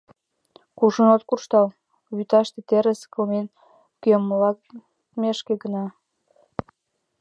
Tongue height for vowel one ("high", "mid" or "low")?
high